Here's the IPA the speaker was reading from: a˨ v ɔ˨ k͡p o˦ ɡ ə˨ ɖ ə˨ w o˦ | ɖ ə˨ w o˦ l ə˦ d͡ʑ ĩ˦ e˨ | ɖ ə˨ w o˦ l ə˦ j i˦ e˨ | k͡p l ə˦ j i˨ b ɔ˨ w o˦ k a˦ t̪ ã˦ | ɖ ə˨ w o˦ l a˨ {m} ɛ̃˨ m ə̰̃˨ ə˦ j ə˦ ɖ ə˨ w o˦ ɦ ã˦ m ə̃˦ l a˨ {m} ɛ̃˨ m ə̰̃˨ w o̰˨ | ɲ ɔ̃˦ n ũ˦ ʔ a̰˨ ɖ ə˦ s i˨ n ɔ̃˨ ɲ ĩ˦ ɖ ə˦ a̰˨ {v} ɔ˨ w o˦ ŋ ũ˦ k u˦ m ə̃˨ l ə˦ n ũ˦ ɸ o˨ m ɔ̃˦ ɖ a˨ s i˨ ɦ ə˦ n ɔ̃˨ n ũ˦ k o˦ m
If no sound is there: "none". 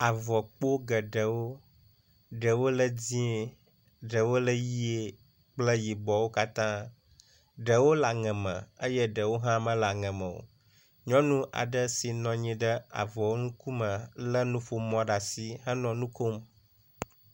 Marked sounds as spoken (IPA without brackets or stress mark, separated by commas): ŋ, ŋ, v